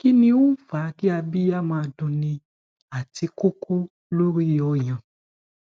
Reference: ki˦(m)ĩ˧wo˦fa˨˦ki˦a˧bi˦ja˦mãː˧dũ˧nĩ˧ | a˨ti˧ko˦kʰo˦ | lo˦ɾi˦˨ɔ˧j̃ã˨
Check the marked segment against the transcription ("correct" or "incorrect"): incorrect